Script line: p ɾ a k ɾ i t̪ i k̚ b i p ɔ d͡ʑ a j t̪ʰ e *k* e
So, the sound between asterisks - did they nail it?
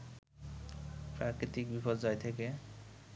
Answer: yes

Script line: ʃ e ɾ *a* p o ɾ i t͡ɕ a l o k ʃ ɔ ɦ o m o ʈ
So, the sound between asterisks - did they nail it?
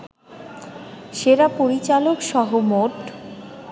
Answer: yes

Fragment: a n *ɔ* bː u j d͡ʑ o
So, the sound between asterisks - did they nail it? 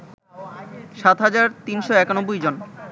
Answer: no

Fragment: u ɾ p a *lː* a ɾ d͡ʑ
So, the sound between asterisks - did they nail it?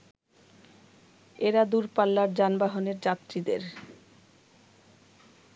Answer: yes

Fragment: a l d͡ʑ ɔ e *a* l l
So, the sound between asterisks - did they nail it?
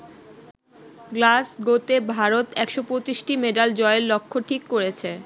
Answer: no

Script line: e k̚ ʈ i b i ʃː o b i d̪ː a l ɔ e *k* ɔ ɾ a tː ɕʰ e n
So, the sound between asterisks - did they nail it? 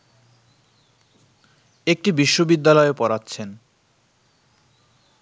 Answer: no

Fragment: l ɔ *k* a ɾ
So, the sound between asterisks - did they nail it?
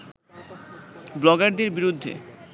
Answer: no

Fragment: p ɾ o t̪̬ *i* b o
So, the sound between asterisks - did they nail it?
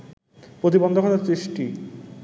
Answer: yes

